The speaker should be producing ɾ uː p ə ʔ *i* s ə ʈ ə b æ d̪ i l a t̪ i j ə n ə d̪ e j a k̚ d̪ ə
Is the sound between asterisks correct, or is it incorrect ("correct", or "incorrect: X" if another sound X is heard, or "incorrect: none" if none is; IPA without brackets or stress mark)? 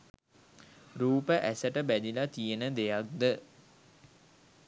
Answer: incorrect: æ